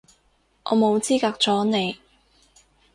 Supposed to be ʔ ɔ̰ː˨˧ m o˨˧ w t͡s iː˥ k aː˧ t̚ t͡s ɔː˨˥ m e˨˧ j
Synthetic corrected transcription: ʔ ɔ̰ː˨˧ m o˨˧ w t͡s iː˥ k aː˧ k̚ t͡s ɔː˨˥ n e˨˧ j